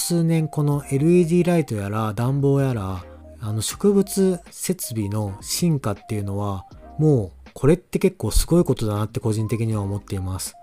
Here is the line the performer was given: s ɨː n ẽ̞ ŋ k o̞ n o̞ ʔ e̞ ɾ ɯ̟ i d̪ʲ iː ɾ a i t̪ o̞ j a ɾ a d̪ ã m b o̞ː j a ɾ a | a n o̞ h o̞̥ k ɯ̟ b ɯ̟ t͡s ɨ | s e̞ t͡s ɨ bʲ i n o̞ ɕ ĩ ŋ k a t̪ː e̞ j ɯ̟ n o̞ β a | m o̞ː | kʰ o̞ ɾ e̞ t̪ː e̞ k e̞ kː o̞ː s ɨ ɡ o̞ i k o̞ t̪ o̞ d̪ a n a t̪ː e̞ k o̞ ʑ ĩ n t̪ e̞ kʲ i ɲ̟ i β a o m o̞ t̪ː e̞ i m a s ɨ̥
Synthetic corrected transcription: s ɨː n ẽ̞ ŋ k o̞ n o̞ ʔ e̞ ɾ ɯ̟ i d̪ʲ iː ɾ a i t̪ o̞ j a ɾ a d̪ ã m b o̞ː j a ɾ a | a n o̞ ɕ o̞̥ k ɯ̟ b ɯ̟ t͡s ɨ | s e̞ t͡s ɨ bʲ i n o̞ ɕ ĩ ŋ k a t̪ː e̞ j ɯ̟ n o̞ β a | m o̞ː | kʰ o̞ ɾ e̞ t̪ː e̞ k e̞ kː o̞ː s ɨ ɡ o̞ i k o̞ t̪ o̞ d̪ a n a t̪ː e̞ k o̞ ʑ ĩ n t̪ e̞ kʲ i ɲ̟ i β a o m o̞ t̪ː e̞ i m a s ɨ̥